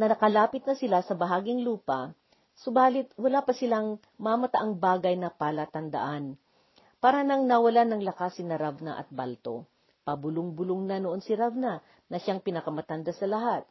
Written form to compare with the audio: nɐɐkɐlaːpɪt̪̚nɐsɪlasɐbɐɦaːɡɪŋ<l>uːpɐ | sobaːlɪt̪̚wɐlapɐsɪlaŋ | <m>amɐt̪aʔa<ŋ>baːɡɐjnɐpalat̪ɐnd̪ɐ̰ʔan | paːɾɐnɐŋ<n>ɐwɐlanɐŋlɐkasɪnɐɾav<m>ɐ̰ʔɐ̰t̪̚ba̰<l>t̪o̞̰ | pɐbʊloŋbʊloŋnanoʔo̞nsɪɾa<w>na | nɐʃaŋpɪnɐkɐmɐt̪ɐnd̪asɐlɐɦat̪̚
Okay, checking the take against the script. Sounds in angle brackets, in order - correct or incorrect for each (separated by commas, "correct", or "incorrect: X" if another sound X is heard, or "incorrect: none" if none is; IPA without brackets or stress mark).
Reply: correct, correct, correct, correct, incorrect: n, correct, incorrect: v